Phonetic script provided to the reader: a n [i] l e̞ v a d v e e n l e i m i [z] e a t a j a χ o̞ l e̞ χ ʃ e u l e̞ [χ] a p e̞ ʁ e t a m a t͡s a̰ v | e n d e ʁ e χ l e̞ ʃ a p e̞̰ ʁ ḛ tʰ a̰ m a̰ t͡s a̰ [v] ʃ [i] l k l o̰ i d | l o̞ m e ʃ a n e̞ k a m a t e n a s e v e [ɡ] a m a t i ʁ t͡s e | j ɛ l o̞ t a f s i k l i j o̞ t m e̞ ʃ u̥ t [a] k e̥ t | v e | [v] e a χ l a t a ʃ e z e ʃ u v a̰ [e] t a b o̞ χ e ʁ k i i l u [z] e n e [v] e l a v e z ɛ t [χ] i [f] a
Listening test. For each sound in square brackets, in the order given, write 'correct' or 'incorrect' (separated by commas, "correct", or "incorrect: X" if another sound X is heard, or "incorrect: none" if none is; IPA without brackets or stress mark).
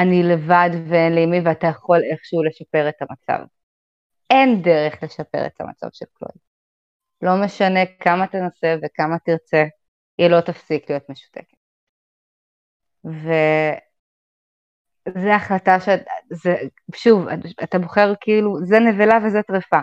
correct, incorrect: v, incorrect: ʃ, correct, incorrect: e, incorrect: k, incorrect: e, incorrect: z, incorrect: a, correct, correct, incorrect: ʁ, correct